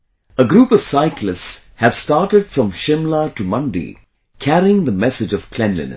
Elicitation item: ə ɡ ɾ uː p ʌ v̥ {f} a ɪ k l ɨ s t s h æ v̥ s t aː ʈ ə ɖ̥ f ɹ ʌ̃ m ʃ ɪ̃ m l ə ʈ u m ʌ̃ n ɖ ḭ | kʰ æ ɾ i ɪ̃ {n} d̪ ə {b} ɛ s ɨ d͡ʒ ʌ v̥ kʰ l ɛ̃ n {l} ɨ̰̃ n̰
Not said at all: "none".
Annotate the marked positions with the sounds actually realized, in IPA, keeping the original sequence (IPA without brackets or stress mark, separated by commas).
s, ŋ, m, l